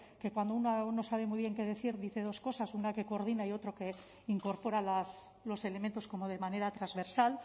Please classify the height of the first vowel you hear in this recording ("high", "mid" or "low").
mid